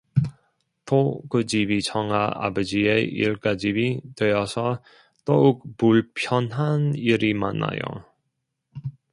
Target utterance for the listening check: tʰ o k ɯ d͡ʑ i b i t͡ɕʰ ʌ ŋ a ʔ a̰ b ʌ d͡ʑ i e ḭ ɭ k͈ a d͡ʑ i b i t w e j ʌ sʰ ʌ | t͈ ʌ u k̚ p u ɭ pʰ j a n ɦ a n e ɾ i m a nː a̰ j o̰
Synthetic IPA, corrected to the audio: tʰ o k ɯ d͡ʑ i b i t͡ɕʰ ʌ ŋ a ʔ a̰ b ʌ d͡ʑ i e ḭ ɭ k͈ a d͡ʑ i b i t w e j ʌ sʰ ʌ | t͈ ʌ u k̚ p u ɭ pʰ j ʌ n ɦ a n i ɾ i m a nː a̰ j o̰